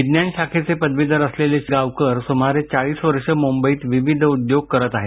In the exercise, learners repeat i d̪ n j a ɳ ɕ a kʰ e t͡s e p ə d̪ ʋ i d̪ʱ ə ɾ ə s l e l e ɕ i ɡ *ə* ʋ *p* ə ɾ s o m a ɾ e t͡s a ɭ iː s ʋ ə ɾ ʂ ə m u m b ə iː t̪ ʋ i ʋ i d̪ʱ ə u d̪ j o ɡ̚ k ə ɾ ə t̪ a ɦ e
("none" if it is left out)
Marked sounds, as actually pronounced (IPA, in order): a, k

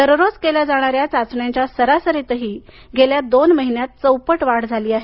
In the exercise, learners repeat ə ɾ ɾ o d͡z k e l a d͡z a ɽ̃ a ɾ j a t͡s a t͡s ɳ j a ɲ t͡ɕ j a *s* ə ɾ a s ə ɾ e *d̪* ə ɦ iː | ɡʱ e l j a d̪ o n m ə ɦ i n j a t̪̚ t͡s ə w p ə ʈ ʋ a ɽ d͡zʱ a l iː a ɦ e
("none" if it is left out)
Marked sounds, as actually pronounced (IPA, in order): s, t̪

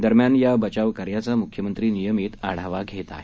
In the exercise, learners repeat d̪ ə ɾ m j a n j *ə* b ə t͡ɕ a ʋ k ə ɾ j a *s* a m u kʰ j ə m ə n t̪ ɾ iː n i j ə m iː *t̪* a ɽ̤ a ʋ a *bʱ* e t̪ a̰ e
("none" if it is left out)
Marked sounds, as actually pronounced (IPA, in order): a, t͡s, t̪, ɡʱ

